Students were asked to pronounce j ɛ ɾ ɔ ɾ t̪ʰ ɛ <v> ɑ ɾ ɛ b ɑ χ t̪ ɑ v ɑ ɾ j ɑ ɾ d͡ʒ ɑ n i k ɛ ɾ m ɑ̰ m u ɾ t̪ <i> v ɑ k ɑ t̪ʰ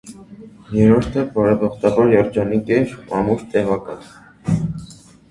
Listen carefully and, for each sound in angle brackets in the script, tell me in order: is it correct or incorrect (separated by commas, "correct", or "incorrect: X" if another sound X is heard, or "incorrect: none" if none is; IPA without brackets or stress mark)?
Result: incorrect: b, incorrect: ɛ